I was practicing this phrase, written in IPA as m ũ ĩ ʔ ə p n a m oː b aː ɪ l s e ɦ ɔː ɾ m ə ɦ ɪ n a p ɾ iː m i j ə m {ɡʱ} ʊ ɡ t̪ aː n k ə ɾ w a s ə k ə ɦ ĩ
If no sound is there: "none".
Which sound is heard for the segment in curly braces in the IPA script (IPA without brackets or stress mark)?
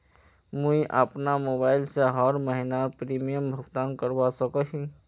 bʱ